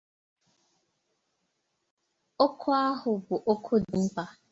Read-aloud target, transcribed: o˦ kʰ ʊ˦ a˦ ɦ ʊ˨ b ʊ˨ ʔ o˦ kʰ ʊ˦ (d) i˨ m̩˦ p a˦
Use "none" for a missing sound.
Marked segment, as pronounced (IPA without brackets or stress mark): d